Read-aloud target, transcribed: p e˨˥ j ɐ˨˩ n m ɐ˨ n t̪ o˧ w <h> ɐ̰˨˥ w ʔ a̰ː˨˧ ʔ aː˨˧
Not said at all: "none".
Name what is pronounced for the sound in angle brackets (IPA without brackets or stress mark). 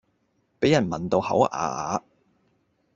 h